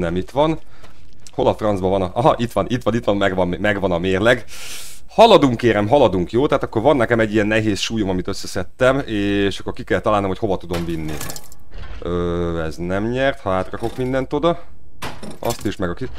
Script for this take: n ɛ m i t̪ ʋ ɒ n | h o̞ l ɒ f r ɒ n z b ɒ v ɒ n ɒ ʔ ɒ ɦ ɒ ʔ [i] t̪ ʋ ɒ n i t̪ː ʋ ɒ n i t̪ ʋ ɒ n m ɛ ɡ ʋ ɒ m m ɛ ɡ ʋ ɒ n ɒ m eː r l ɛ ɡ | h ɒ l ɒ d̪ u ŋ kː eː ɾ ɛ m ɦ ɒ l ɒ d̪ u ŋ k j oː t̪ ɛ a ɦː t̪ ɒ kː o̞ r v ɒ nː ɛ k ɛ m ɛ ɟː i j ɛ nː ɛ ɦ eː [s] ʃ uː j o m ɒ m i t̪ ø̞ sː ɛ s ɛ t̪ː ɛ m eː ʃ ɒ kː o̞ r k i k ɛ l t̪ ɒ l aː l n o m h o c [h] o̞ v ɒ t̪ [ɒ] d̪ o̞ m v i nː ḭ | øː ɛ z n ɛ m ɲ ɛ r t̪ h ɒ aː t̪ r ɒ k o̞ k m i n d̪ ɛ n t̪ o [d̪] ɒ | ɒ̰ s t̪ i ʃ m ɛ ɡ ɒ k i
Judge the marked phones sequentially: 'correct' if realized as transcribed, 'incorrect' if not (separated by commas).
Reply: correct, correct, correct, incorrect, correct